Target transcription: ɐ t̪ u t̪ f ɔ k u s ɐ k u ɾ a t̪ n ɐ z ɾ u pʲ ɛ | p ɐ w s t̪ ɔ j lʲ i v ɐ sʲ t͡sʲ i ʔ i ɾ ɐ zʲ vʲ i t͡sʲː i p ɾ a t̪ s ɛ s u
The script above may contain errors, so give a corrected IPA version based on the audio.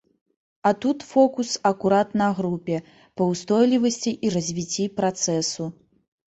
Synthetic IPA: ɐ t̪ u t̪ f ɔ k u s ɐ k u ɾ a t̪ n ɐ ɣ ɾ u pʲ ɛ | p ɐ w s t̪ ɔ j lʲ i v ɐ sʲ t͡sʲ i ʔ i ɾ ɐ zʲ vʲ i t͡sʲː i p ɾ a t̪ s ɛ s u